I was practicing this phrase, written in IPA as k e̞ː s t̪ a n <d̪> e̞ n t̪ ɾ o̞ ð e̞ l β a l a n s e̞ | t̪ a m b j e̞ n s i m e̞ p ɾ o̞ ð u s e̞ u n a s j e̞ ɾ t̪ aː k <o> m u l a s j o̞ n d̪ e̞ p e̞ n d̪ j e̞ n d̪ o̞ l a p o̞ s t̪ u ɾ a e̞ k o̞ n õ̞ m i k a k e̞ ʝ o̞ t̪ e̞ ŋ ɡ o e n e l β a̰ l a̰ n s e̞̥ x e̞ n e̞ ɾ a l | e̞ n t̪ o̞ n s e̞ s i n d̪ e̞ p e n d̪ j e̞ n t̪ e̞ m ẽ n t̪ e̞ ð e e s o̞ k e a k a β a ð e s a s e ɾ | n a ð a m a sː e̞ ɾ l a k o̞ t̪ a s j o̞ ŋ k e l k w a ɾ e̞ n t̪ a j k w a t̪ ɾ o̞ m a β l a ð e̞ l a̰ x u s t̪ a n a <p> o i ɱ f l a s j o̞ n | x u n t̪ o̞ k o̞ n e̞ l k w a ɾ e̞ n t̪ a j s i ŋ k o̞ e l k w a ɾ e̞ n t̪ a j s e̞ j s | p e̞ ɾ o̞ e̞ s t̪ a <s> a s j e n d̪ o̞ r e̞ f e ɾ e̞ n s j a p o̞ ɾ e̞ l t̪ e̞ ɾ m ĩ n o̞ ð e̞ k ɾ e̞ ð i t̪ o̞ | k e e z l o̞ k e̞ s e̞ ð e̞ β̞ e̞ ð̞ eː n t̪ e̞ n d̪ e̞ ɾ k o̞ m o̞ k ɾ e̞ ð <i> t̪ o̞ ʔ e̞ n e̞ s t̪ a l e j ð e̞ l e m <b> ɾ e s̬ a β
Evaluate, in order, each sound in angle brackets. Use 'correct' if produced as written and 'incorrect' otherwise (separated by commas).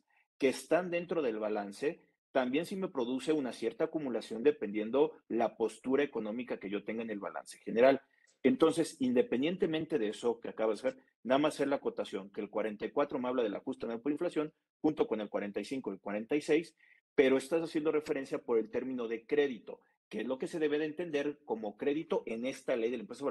correct, incorrect, correct, correct, correct, incorrect